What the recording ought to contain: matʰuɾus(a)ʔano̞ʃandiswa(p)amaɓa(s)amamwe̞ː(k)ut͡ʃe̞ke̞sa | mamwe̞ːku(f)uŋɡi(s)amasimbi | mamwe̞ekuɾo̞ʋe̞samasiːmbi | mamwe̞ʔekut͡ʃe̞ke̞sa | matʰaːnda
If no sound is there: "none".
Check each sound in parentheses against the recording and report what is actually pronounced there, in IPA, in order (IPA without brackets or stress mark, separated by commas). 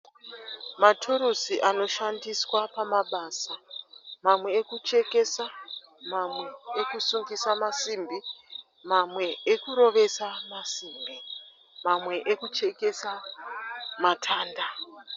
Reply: i, p, s, k, s, s